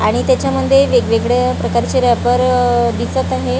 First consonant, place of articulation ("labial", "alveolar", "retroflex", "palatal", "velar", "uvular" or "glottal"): retroflex